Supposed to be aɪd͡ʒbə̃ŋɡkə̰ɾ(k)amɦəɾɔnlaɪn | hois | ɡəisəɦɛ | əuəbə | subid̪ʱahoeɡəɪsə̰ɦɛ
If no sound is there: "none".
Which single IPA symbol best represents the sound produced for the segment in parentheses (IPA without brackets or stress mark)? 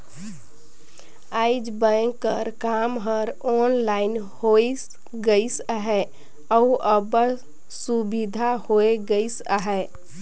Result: k